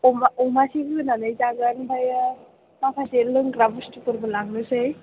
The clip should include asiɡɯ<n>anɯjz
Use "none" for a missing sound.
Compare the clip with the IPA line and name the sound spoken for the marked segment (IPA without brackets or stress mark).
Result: n